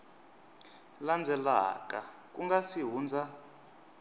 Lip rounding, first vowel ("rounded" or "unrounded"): unrounded